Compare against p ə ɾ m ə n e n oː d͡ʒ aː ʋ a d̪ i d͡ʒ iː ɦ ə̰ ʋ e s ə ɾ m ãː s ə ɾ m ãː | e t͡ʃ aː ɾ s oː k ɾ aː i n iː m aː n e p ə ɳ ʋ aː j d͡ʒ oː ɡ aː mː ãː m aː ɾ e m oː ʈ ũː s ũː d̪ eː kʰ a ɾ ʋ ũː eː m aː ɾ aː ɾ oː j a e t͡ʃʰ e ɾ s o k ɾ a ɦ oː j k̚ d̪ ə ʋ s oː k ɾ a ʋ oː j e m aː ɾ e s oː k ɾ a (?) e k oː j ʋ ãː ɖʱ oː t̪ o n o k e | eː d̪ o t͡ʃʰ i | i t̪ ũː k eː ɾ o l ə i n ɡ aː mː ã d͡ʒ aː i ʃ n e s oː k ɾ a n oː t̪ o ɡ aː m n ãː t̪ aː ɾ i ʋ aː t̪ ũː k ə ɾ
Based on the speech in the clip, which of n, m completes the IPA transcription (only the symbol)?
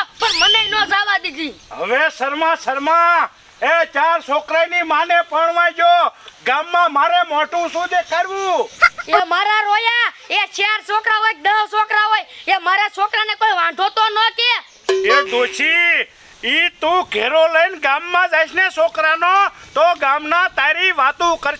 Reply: n